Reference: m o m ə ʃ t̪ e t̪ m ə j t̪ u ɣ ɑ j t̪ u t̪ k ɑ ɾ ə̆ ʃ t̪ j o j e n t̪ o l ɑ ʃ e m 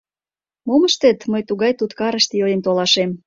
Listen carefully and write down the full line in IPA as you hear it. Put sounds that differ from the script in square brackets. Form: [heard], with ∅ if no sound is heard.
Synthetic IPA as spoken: m o m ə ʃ t̪ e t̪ m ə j t̪ u ɣ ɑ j t̪ u t̪ k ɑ ɾ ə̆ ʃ t̪ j o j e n t̪ o l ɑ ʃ e m